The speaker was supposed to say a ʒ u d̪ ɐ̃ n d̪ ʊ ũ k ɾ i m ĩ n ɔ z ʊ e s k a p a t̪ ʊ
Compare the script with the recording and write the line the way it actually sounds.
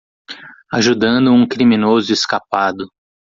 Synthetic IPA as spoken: a ʒ u d̪ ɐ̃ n d̪ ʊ ũ k ɾ i m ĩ n o z ʊ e s k a p a d̪ ʊ